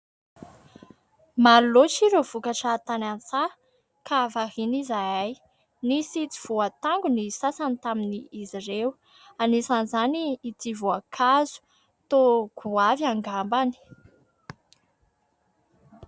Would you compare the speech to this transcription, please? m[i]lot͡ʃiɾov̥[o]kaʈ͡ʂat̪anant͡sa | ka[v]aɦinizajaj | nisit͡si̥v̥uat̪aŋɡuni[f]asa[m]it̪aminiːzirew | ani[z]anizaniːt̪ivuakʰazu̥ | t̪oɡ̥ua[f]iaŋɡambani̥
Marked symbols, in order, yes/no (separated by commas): no, no, yes, no, no, no, no